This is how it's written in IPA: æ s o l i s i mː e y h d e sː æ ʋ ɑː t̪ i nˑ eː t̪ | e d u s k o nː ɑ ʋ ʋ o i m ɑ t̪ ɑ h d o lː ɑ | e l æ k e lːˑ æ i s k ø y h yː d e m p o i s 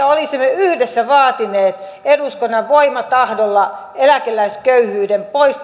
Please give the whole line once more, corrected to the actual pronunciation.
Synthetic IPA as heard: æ o l i s i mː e y h d e sː æ ʋ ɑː t̪ i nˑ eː t̪ | e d u s k o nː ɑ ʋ ʋ o i m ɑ t̪ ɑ h d o lː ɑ | e l æ k e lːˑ æ i s k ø y h yː d e m p o i s

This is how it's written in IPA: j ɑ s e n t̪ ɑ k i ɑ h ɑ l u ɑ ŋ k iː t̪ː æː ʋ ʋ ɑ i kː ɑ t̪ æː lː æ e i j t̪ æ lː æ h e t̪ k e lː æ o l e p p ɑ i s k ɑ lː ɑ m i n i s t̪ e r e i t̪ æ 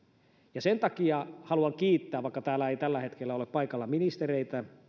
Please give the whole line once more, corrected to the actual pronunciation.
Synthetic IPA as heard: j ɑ s e n t̪ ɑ k i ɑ h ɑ l u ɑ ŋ k iː t̪ː æː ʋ ʋ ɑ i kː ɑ t̪ æː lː æ e i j t̪ æ lː æ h e t̪ k e lː æ o l e p p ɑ i k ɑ lː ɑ m i n i s t̪ e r e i t̪ æ

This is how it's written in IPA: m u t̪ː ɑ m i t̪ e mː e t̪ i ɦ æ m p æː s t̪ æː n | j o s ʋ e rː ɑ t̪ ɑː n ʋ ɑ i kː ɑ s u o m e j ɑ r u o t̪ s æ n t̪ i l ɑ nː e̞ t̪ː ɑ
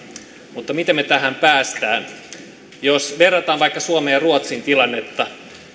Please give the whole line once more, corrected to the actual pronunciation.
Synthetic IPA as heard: m u t̪ː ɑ m i t̪ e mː e t̪ æ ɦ æ m p æː s t̪ æː n | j o s ʋ e rː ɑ t̪ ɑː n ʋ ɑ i kː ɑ s u o m e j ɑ r u o t̪ s i n t̪ i l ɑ nː e̞ t̪ː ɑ

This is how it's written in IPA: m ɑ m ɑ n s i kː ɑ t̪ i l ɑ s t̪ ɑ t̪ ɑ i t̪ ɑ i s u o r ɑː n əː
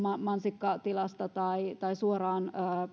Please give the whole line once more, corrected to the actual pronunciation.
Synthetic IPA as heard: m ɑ m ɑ n s i kː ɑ t̪ i l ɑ s t̪ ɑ t̪ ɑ i t̪ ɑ i s u o r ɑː n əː

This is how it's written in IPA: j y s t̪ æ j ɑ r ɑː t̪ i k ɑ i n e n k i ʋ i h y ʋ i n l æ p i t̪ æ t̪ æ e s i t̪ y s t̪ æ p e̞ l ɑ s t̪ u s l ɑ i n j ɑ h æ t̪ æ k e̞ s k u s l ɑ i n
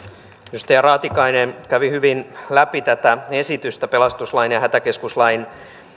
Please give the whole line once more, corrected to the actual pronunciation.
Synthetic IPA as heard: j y s t̪ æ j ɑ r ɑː t̪ i k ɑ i n e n k æ ʋ i h y ʋ i n l æ p i t̪ æ t̪ æ e s i t̪ y s t̪ æ p e̞ l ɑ s t̪ u s l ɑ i n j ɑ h æ t̪ æ k e̞ s k u s l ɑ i n

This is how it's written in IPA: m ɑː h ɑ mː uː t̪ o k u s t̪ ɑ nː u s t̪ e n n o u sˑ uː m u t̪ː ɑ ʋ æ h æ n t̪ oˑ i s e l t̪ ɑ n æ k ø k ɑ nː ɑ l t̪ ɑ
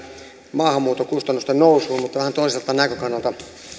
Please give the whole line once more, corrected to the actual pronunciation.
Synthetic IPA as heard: m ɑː h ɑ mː uː t̪ o k u s t̪ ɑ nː u s t̪ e n n o u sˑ uː m u t̪ː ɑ ʋ æ h æ n t̪ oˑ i s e l t̪ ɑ n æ k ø k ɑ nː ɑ l t̪ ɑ

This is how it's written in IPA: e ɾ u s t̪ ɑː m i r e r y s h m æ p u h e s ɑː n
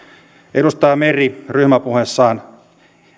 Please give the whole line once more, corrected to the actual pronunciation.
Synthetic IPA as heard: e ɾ u s t̪ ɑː m e r i r y h m æ p u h e sː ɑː n

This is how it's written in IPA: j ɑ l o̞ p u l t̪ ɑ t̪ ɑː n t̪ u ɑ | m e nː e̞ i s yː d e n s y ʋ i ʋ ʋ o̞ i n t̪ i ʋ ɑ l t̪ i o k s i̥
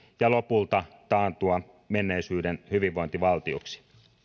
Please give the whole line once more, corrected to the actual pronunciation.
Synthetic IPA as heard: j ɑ l o̞ p u l t̪ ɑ t̪ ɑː n t̪ u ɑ | m e nː e̞ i s yː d e n h y ʋ i ʋ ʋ o̞ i n t̪ i ʋ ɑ l t̪ i o k s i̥

